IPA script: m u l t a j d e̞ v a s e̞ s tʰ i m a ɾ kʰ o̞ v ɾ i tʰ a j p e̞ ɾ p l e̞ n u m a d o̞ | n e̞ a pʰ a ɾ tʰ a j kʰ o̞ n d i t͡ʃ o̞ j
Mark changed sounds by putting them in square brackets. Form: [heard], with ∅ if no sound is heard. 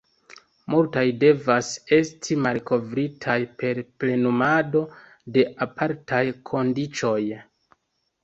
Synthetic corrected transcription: m u l t a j d e̞ v a s e̞ s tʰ i m a [l] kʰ o̞ v ɾ i tʰ a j p e̞ ɾ p l e̞ n u m a d o̞ | [d] e̞ a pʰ a ɾ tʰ a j kʰ o̞ n d i t͡ʃ o̞ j